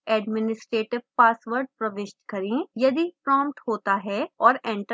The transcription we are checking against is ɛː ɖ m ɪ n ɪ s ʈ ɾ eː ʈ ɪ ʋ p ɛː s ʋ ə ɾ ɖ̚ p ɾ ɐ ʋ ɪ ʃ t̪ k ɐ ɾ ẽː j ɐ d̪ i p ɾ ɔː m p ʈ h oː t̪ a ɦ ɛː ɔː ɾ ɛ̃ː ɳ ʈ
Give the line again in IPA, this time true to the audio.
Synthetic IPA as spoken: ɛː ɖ m ɪ n ɪ s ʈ ɾ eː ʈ ɪ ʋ p aː s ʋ ə ɾ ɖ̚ p ɾ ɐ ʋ ɪ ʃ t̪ k ɐ ɾ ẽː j ɐ d̪ i p ɾ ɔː m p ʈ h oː t̪ a ɦ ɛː ɔː ɾ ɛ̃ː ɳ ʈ